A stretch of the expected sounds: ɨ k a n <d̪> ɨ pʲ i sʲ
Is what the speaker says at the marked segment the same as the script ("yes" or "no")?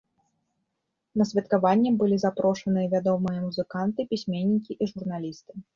no